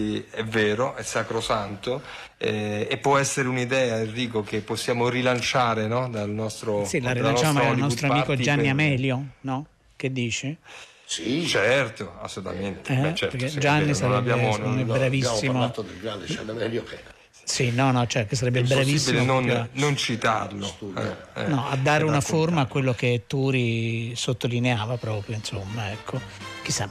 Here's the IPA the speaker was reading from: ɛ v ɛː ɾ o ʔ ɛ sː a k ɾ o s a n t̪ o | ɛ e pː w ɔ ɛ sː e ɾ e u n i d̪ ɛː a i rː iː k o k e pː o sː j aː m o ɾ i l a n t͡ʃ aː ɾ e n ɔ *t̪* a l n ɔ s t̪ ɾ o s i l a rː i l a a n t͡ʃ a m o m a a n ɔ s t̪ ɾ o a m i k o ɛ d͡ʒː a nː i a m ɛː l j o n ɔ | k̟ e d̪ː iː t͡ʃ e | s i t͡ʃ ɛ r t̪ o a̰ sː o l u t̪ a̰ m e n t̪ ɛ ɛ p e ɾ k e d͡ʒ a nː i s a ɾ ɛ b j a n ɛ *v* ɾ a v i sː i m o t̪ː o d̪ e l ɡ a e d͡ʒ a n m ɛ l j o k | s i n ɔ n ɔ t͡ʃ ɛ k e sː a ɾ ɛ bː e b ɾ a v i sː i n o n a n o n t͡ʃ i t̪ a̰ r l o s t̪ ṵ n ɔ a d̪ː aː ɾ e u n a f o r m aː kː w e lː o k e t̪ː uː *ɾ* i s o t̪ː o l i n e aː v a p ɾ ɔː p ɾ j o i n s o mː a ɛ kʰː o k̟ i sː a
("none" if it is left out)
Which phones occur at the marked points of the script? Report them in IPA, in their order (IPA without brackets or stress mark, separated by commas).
d̪, b, ɾ